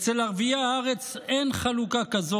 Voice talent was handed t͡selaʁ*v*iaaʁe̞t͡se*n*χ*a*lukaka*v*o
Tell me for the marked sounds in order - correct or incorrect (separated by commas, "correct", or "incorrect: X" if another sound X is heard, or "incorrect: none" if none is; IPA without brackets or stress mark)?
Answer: correct, correct, correct, incorrect: z